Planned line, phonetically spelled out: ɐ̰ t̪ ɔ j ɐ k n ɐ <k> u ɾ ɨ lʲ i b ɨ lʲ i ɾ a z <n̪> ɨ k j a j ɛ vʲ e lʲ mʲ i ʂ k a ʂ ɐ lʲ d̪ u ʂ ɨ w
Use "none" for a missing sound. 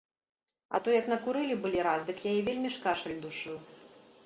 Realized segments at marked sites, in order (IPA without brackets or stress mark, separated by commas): k, d̪